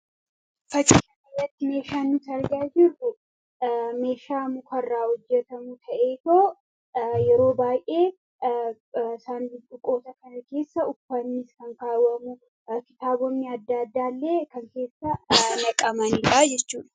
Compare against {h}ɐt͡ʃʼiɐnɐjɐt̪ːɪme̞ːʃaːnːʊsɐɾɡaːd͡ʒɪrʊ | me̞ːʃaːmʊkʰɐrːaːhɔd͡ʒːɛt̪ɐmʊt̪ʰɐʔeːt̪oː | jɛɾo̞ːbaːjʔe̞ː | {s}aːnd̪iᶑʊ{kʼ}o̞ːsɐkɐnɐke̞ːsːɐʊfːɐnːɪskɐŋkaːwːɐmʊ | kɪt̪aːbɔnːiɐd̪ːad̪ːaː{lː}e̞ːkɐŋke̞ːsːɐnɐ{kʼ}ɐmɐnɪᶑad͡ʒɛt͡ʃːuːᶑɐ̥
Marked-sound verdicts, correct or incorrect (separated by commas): incorrect, correct, correct, correct, correct